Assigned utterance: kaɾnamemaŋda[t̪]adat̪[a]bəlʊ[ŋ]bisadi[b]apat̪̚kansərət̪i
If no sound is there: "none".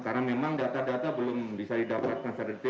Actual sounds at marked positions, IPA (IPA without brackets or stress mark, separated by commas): t̪, a, m, d